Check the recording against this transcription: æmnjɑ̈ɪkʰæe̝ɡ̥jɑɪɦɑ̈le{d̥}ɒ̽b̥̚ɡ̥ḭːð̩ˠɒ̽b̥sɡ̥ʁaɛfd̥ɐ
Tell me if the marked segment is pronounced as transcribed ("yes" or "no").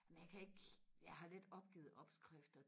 yes